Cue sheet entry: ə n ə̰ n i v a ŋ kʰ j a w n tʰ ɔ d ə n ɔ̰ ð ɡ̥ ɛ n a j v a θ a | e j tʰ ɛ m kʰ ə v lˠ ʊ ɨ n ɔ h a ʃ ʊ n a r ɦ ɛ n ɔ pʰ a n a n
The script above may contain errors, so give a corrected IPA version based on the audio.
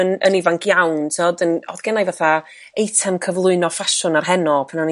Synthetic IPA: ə n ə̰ n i v a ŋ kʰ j a w n tʰ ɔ d ə n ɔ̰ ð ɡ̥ ɛ n a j v a θ a | e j tʰ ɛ m kʰ ə v lˠ ʊ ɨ n ɔ f a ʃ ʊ n a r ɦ ɛ n ɔ pʰ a n a n